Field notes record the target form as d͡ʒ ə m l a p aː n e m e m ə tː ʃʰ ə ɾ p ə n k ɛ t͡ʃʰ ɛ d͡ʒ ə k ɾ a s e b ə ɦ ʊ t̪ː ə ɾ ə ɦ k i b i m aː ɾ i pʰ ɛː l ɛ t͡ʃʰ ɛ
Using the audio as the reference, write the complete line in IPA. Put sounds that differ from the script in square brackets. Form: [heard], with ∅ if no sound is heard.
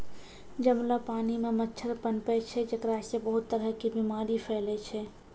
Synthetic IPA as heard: d͡ʒ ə m l a p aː n [i] m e m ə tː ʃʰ ə ɾ p ə n [p] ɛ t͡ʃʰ ɛ d͡ʒ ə k ɾ a s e b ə ɦ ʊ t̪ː ə ɾ ə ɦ k i b i m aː ɾ i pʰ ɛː l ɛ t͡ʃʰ ɛ